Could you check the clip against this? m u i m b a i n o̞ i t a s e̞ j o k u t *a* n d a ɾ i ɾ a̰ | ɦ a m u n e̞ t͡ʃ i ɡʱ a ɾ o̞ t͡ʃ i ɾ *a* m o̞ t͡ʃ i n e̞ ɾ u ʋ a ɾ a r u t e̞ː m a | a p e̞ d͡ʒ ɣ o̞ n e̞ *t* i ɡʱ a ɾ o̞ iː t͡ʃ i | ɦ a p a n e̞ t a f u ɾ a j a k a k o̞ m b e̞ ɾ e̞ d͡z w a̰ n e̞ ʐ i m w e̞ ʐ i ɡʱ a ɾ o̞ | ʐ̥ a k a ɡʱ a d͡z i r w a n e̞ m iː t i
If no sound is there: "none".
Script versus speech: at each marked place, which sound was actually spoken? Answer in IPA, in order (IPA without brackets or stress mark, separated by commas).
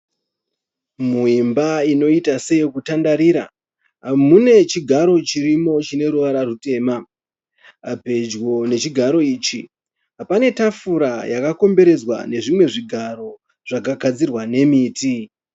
a, i, t͡ʃ